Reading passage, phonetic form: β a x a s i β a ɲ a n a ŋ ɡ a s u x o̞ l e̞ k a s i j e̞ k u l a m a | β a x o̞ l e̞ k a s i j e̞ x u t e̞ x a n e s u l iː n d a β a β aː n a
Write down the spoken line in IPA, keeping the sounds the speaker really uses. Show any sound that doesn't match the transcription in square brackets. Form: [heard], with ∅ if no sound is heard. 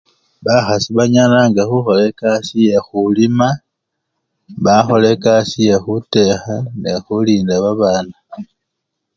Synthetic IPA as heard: β a x a s i β a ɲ a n a ŋ ɡ a [x] u x o̞ l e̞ k a s i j e̞ [x] u l [i] m a | β a x o̞ l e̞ k a s i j e̞ x u t e̞ x a n e [x] u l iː n d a β a β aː n a